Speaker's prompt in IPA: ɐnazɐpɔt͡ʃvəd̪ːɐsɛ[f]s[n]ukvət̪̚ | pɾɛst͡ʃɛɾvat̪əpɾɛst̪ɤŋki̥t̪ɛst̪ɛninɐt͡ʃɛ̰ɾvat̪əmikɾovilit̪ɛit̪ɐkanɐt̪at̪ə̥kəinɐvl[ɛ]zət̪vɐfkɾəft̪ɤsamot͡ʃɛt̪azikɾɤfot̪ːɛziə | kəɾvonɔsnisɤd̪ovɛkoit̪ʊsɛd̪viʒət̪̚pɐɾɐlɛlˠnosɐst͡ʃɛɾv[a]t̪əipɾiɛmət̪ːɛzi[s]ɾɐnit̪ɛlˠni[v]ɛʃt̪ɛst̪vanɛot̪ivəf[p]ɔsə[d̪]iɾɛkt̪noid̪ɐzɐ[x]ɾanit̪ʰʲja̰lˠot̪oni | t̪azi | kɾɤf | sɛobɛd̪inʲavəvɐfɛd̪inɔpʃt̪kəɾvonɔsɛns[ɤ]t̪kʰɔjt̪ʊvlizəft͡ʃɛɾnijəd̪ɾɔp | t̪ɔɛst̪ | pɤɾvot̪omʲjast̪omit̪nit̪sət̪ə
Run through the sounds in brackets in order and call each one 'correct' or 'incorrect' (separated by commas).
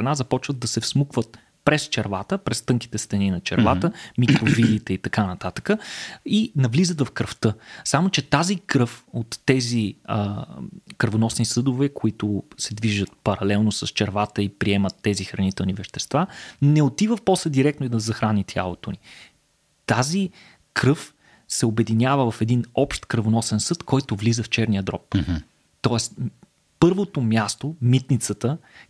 correct, incorrect, incorrect, correct, incorrect, correct, correct, correct, correct, correct